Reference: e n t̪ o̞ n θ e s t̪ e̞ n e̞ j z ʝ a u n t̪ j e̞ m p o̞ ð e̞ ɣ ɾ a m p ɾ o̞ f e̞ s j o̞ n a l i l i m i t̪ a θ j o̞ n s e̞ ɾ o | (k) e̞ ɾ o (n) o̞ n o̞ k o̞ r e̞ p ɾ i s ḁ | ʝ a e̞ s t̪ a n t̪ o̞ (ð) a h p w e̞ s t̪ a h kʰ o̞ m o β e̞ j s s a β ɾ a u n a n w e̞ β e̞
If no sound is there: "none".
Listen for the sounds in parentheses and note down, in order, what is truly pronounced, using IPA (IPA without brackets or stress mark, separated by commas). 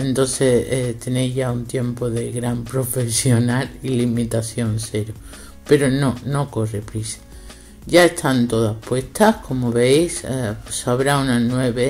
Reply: p, n, ð